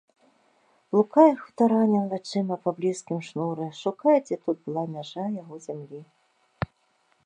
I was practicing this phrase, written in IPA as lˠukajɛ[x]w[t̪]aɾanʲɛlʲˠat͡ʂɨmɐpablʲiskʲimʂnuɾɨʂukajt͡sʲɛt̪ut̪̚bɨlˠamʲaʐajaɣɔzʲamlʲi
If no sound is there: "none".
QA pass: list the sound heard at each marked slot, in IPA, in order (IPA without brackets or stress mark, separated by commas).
x, t̪